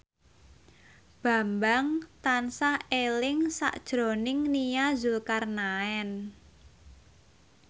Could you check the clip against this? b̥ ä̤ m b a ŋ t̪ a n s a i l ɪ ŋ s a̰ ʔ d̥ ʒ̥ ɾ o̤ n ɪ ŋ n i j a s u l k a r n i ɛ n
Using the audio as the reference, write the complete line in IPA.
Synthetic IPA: b̥ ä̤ m b a ŋ t̪ a n s a e l ɪ ŋ s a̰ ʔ d̥ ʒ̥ ɾ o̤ n ɪ ŋ n i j a z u l k a r n a ɛ n